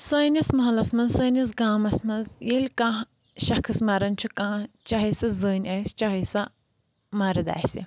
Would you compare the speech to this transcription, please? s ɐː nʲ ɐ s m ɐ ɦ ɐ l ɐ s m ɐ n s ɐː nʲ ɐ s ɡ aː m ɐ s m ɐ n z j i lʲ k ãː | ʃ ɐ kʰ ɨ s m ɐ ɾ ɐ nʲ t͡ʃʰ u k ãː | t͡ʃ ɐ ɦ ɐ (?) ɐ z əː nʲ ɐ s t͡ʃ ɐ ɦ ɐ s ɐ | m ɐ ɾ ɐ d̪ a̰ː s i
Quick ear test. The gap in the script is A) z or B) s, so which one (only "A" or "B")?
B